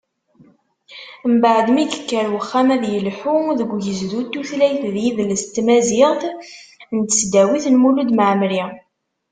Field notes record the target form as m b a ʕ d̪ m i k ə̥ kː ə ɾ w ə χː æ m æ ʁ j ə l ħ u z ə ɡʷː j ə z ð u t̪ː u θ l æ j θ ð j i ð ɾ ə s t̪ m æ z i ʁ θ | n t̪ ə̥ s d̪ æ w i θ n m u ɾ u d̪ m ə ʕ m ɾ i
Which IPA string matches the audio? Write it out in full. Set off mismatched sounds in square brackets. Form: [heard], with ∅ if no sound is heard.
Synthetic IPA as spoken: m b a ʕ d̪ m i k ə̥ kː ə ɾ w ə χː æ m æ [ð] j ə l ħ u [ð] ə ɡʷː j ə z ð u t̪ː u θ l æ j θ ð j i ð [l] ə s t̪ m æ z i ʁ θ | n t̪ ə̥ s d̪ æ w i θ n m u [l] u d̪ m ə ʕ m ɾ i